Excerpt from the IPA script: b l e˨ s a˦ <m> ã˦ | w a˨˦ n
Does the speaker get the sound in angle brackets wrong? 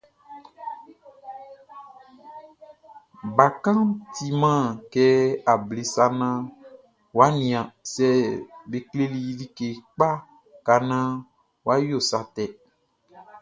yes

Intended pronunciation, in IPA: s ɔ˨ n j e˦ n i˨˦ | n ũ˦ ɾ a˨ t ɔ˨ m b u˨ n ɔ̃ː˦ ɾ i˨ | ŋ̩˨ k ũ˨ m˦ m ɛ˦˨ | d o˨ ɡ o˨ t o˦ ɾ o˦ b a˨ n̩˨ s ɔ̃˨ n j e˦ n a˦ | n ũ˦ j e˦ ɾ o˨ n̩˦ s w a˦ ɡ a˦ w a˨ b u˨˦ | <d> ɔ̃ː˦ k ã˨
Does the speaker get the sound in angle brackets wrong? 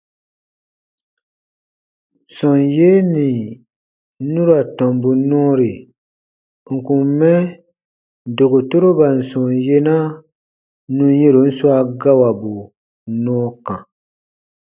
yes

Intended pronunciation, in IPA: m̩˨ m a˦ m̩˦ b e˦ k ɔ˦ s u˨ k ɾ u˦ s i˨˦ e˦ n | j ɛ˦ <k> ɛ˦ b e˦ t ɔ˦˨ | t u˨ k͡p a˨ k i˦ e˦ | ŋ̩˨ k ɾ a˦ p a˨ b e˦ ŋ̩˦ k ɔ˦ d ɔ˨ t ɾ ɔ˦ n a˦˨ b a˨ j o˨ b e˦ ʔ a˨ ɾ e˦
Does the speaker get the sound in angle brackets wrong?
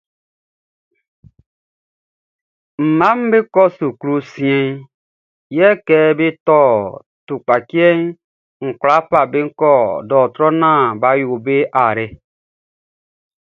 no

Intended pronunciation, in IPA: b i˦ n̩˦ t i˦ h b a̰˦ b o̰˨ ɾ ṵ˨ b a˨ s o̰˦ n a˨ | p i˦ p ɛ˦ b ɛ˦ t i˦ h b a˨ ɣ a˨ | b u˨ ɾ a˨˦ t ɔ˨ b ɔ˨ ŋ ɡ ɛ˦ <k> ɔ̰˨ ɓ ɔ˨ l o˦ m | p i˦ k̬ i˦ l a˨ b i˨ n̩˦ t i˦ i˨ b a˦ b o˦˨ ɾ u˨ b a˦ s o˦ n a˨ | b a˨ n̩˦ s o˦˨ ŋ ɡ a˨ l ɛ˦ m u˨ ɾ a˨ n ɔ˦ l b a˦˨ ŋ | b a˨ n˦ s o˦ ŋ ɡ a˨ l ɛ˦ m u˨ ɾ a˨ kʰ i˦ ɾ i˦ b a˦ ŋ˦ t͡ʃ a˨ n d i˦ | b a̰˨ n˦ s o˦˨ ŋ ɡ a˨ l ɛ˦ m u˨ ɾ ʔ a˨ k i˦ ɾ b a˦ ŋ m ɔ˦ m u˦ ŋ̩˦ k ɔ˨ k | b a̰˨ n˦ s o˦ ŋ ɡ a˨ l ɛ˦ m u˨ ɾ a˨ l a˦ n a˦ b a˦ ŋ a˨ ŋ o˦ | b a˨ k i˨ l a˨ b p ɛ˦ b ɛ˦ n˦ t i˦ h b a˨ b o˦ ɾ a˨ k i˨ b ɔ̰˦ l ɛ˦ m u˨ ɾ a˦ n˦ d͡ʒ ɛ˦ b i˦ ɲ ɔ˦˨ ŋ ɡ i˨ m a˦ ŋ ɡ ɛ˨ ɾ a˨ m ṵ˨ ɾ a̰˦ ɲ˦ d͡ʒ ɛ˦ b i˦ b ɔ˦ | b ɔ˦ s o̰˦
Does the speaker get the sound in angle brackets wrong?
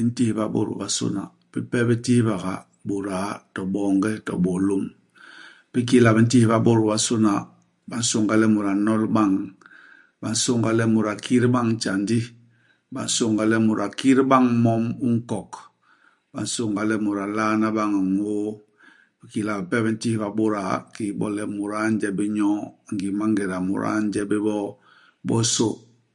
yes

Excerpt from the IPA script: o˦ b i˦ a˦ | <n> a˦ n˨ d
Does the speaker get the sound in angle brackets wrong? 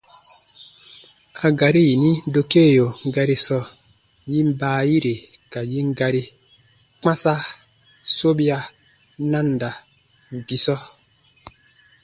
no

